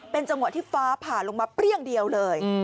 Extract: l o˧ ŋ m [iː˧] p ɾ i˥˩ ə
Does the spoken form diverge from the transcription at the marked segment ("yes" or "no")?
yes